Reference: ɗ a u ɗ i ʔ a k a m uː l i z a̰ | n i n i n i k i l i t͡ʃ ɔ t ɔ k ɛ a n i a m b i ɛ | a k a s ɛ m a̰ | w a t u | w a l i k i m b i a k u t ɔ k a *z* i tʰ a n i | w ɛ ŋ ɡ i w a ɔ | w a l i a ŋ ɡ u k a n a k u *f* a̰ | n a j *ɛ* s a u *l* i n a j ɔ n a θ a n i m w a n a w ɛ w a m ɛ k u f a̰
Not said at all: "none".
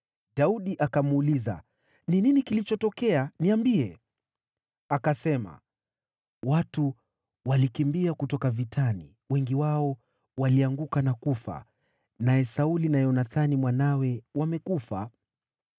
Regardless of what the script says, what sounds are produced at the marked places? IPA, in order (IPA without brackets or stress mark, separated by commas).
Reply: v, f, ɛ, l